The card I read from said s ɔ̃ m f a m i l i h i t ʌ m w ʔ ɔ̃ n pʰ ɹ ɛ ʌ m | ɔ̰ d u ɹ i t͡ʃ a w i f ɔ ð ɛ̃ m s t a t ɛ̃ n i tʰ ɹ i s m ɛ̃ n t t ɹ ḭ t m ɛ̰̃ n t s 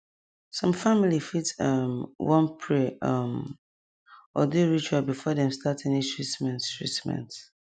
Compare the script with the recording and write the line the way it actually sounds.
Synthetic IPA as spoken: s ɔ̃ m f a m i l i f i t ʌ m w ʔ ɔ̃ n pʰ ɹ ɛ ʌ m | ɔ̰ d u ɹ i t͡ʃ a b i f ɔ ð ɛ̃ m s t a t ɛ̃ n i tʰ ɹ i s m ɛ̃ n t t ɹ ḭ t m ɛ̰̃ n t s